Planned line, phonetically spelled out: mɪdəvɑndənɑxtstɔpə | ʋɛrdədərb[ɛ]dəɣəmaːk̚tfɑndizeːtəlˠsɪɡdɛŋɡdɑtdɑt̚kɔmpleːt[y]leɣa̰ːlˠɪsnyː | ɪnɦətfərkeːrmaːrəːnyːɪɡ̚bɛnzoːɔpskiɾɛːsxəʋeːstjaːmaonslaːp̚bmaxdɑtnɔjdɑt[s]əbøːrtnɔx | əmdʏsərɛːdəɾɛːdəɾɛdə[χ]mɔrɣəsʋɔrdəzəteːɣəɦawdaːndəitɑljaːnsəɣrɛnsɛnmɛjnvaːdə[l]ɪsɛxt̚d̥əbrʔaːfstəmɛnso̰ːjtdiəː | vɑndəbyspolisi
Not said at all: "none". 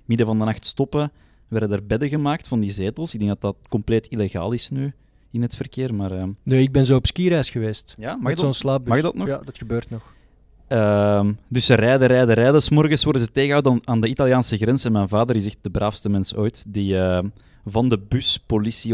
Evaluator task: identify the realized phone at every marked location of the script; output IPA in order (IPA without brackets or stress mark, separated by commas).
ɛ, i, x, s, ɾ